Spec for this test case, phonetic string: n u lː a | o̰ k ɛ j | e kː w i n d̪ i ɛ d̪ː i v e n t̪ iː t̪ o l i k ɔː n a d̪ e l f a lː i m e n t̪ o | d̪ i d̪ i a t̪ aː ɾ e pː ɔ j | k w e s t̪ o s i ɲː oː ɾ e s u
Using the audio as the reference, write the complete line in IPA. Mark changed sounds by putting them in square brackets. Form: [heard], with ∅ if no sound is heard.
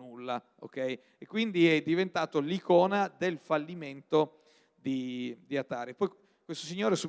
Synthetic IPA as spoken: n u lː a | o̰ k ɛ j | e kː w i n d̪ i ɛ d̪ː i v e n t̪ [aː] t̪ o l i k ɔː n a d̪ e l f a lː i m e n t̪ o | d̪ i d̪ i a t̪ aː ɾ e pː ɔ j | k w e s t̪ o s i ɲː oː ɾ e s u